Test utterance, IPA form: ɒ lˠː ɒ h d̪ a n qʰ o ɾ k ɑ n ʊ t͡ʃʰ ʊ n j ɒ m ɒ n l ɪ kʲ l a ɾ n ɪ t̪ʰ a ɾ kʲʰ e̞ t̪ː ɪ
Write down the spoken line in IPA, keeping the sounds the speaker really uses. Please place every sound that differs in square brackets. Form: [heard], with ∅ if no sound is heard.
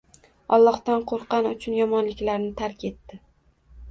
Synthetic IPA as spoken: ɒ lˠː ɒ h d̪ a n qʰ o ɾ [q] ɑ n ʊ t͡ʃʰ ʊ n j ɒ m ɒ n l ɪ kʲ l a ɾ n ɪ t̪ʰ a ɾ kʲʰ e̞ t̪ː ɪ